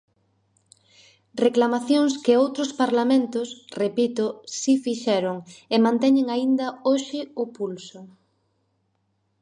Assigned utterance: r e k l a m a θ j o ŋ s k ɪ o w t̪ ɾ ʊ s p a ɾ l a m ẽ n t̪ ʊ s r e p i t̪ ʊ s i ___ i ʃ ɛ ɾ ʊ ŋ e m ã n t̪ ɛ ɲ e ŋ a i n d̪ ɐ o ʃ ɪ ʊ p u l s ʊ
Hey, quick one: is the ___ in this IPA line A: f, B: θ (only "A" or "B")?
A